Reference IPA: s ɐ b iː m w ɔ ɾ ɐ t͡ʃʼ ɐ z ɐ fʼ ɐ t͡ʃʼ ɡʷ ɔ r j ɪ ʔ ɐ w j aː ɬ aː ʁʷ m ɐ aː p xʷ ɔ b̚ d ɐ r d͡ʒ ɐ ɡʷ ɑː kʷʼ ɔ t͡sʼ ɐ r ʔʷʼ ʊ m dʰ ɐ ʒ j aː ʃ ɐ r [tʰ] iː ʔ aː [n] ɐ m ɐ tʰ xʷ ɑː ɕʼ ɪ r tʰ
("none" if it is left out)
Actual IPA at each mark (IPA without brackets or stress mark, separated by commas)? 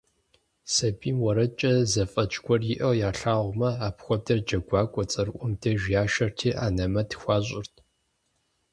tʰ, n